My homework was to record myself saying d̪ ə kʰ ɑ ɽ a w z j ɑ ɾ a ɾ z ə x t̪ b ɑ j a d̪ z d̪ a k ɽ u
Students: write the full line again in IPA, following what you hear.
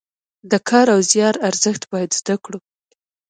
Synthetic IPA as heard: d̪ ə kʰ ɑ ɾ a w z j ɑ ɾ a ɾ z ə x t̪ b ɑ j a d̪ z d̪ a k ɽ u